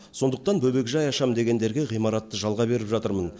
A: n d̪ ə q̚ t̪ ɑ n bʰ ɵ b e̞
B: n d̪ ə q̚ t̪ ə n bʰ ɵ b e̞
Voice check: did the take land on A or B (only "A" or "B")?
A